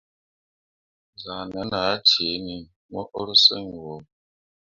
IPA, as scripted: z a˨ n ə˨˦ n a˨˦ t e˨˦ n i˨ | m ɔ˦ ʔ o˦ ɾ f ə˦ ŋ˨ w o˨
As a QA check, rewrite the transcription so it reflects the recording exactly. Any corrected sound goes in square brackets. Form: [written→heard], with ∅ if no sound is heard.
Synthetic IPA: z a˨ n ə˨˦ n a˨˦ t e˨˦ n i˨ | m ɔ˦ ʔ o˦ ɾ [f→s] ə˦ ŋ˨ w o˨